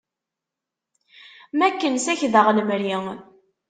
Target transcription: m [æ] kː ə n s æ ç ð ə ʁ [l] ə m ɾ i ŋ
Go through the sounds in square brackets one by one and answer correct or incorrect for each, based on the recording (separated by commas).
correct, correct